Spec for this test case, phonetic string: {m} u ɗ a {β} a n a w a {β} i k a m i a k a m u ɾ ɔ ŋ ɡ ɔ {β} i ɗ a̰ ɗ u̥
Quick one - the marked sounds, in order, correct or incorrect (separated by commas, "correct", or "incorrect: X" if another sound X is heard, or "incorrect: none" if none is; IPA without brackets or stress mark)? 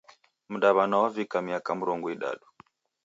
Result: correct, correct, incorrect: v, incorrect: none